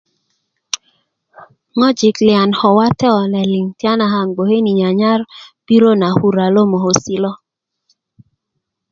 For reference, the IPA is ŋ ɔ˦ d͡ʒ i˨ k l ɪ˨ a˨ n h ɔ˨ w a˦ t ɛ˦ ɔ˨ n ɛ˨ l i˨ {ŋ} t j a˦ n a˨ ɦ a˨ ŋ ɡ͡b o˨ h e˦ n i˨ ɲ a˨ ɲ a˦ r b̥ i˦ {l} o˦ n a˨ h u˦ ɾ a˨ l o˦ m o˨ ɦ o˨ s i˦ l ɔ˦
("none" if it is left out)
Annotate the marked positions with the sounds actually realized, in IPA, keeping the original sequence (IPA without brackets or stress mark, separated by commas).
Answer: ŋ, ɾ